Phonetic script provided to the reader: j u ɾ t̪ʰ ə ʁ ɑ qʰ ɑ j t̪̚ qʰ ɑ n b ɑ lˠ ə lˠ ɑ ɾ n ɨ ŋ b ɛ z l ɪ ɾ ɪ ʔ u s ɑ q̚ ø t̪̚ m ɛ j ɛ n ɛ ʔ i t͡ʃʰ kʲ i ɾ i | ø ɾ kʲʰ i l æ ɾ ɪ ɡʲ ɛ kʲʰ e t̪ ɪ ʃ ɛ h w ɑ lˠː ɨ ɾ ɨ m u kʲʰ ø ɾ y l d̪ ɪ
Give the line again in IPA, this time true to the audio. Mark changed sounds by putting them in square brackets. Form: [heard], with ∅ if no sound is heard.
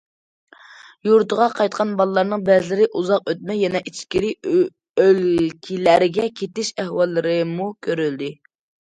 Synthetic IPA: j u ɾ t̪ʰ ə ʁ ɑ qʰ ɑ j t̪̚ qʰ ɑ n b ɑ lˠ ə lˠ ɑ ɾ n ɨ ŋ b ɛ z l ɪ ɾ ɪ ʔ u [z] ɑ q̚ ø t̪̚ m ɛ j ɛ n ɛ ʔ i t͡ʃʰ kʲ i ɾ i | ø [l] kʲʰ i l æ ɾ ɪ ɡʲ ɛ kʲʰ e t̪ ɪ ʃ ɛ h w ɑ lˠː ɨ ɾ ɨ m u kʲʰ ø ɾ y l d̪ ɪ